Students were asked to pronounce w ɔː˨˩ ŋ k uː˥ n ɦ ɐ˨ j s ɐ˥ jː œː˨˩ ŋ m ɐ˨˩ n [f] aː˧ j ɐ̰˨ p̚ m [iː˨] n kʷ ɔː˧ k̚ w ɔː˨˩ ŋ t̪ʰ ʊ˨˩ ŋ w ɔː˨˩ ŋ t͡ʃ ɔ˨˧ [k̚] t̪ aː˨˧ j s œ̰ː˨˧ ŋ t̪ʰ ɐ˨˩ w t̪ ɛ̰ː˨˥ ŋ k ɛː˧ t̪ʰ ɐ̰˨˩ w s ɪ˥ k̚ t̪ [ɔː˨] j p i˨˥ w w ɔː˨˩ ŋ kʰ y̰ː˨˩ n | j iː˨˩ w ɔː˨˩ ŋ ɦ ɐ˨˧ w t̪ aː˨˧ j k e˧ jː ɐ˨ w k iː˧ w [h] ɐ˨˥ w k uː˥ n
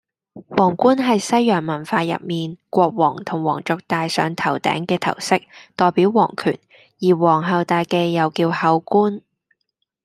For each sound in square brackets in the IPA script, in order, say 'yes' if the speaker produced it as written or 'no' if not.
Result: yes, yes, yes, yes, yes

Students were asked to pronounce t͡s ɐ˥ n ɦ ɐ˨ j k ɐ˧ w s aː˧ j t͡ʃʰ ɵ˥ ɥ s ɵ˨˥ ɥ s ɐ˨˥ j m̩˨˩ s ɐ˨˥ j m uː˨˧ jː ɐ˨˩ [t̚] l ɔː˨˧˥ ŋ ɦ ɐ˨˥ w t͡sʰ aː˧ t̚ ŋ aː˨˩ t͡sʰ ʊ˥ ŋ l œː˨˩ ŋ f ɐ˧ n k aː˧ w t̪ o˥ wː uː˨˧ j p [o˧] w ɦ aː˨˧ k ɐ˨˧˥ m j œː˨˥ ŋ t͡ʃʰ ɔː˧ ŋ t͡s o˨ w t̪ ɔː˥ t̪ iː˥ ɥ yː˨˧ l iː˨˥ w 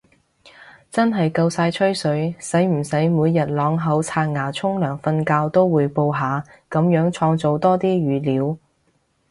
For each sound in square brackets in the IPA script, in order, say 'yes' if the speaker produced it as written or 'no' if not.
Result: yes, yes

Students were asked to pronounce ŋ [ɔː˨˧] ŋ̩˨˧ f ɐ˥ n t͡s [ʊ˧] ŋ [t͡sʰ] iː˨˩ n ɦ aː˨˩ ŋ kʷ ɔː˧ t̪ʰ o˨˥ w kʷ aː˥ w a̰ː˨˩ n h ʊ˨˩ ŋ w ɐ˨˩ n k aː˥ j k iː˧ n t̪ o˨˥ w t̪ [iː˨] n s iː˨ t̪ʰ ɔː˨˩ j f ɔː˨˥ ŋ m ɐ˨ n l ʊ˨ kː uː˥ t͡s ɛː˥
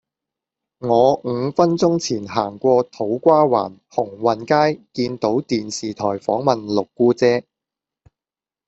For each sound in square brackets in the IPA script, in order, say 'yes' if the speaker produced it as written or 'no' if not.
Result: yes, no, yes, yes

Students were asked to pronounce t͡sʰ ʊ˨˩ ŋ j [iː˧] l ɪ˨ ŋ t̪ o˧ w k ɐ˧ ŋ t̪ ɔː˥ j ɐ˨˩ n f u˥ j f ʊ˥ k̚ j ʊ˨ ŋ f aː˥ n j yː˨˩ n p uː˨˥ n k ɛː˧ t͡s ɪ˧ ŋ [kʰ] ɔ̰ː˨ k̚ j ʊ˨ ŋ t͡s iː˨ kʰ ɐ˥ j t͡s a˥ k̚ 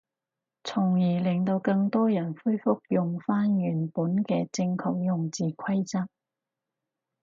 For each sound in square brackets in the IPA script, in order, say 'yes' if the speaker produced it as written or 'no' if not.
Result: no, yes

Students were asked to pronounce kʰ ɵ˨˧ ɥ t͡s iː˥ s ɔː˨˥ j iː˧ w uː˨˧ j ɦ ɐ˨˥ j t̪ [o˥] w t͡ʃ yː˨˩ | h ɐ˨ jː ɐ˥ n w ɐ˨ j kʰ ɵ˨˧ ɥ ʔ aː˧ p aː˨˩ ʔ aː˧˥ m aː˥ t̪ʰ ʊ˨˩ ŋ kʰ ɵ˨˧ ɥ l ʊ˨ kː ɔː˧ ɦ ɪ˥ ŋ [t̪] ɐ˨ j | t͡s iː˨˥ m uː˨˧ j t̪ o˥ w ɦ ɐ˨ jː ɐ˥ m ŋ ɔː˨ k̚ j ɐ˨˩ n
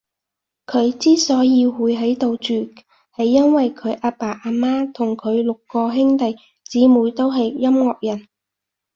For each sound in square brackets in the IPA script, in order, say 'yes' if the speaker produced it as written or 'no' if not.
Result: no, yes

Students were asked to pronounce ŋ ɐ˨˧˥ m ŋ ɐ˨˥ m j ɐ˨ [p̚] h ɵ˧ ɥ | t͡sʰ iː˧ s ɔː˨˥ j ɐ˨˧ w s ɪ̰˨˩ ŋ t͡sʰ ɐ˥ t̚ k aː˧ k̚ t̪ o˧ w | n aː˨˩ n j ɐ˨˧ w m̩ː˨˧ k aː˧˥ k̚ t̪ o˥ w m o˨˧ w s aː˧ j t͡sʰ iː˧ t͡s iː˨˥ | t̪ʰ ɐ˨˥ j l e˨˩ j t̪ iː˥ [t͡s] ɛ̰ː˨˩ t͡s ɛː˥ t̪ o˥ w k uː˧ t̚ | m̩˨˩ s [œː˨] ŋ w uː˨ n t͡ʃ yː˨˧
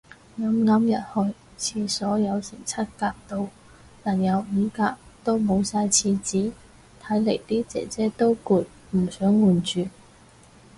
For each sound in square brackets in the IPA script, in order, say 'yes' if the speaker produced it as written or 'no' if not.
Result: no, yes, no

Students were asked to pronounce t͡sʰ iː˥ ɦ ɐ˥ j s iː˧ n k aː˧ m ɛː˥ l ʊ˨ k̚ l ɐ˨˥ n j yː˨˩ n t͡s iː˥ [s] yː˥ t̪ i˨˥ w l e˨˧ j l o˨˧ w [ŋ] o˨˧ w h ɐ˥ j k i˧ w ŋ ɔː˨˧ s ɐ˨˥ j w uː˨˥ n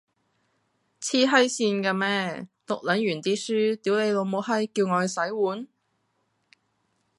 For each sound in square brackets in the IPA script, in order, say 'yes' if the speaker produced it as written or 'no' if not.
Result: yes, no

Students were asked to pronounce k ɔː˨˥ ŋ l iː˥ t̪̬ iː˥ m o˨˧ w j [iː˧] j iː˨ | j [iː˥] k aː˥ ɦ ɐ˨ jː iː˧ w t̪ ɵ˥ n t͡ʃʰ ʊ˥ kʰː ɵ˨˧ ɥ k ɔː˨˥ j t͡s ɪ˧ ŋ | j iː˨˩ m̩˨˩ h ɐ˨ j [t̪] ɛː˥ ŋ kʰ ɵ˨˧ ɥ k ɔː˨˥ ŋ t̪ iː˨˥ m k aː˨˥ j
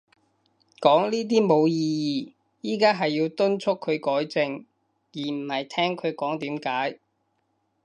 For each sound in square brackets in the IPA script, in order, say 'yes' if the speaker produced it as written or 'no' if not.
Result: yes, yes, no

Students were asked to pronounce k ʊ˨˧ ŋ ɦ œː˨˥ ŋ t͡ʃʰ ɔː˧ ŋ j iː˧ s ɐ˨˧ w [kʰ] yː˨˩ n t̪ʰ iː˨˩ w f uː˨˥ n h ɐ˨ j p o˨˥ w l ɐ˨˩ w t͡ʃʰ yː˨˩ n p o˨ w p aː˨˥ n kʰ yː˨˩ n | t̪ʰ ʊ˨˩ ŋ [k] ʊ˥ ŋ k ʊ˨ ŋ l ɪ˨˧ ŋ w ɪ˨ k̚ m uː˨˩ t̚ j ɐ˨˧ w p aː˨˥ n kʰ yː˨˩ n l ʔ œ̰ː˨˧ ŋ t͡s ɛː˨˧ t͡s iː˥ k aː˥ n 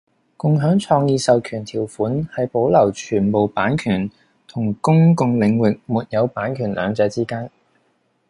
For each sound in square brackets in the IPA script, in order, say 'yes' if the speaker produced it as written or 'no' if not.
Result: yes, yes

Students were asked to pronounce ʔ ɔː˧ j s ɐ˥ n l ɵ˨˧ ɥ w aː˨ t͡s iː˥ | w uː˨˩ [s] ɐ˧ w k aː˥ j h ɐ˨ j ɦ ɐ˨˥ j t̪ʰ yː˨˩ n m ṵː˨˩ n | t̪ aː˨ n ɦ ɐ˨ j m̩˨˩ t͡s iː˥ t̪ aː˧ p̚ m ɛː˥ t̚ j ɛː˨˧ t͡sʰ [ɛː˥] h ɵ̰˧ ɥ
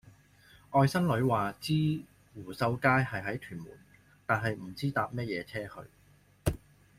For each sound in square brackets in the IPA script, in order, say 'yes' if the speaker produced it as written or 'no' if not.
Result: yes, yes

